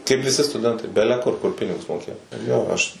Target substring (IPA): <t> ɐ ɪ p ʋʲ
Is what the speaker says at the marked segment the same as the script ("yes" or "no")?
no